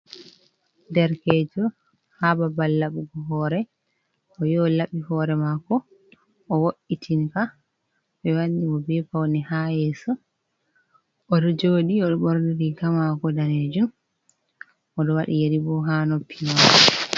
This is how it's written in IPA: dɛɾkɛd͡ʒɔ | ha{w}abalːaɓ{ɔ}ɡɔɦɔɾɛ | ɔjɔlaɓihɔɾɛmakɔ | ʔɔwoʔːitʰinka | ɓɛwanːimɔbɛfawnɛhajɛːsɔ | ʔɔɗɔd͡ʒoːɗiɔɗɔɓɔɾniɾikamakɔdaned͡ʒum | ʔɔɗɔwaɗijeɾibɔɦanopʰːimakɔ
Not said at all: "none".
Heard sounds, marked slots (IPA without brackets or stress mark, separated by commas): b, u